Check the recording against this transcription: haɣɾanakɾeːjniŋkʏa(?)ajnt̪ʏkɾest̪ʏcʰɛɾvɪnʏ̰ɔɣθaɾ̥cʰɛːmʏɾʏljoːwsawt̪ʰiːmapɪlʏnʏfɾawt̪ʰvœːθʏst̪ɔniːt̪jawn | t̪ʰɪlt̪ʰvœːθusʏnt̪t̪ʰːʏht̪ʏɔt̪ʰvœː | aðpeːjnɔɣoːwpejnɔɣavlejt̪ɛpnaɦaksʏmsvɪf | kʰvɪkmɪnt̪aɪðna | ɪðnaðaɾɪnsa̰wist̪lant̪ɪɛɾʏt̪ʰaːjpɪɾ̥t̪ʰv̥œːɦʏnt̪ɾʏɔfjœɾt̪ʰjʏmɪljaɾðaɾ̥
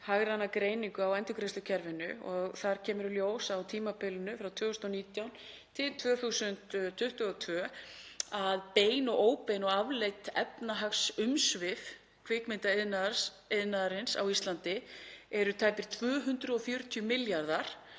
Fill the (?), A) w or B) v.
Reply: A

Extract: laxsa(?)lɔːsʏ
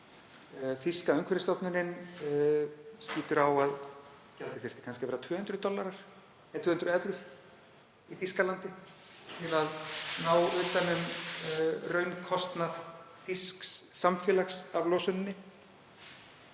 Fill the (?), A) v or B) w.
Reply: A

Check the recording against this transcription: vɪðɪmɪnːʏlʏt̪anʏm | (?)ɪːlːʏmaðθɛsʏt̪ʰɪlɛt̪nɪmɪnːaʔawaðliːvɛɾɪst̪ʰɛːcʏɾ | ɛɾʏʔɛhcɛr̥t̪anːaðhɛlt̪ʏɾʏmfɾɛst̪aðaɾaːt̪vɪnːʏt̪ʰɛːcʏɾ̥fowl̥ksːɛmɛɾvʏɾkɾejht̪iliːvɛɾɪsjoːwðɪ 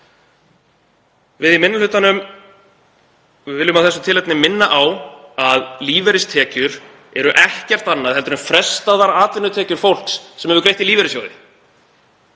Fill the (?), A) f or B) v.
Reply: B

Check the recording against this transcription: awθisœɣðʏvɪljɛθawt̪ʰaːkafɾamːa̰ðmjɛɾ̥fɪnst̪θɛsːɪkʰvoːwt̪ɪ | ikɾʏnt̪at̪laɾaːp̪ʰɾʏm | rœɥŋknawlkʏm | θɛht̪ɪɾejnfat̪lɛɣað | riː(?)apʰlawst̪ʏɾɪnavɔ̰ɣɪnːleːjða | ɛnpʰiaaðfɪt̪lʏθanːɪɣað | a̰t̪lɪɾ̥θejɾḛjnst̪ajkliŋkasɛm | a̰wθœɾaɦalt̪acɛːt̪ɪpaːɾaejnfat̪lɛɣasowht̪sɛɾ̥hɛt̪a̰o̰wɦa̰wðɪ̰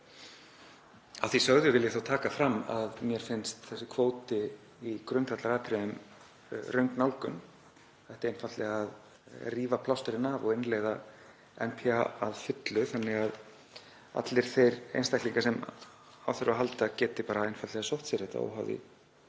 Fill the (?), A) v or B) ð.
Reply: A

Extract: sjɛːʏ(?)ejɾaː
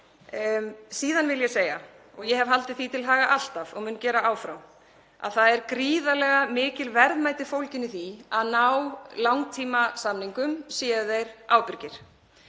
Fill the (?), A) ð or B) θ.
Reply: A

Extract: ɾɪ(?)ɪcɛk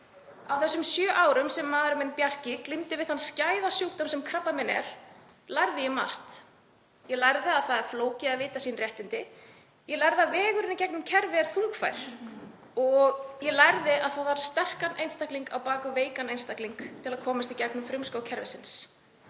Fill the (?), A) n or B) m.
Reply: A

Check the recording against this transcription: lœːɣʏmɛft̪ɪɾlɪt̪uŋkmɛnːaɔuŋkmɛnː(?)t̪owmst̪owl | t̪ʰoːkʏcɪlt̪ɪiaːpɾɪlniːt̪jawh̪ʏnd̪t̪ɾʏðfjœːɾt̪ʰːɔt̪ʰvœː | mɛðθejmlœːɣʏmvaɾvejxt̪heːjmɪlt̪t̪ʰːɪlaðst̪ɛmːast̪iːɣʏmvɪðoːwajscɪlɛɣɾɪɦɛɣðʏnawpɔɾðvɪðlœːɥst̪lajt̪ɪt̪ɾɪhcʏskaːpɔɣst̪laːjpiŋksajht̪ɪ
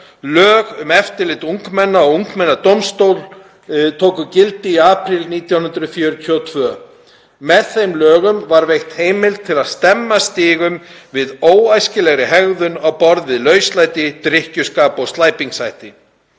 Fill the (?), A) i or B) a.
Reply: B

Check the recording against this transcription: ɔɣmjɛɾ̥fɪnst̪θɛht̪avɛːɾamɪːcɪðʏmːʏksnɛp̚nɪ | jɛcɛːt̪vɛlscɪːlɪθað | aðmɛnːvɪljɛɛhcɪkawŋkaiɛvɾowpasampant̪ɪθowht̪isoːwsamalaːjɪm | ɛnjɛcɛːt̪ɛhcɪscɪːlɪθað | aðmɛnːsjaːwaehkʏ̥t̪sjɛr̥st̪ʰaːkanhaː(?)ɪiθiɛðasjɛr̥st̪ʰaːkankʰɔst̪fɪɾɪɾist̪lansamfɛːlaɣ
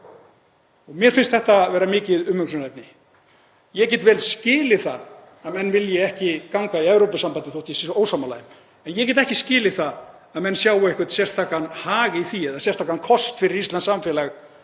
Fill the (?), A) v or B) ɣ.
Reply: B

